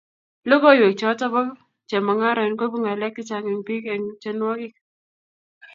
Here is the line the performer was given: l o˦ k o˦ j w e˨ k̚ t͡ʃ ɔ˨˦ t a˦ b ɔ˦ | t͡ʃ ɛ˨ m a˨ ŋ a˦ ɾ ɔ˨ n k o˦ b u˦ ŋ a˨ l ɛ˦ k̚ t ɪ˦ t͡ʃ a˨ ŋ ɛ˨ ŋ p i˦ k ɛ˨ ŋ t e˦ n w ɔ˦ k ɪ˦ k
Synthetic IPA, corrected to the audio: l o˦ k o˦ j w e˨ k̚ t͡ʃ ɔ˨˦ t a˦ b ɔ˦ | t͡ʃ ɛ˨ m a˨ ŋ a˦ ɾ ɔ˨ n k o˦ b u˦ ŋ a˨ l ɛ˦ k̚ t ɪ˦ t͡ʃ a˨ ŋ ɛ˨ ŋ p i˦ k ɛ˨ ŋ t͡ʃ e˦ n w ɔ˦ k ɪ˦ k